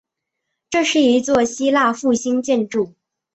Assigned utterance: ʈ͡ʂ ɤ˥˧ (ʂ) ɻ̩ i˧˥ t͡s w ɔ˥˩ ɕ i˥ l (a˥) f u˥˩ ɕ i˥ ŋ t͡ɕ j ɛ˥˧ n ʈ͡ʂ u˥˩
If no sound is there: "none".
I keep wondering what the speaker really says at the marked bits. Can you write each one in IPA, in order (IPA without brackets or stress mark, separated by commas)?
ʂ, a˥˧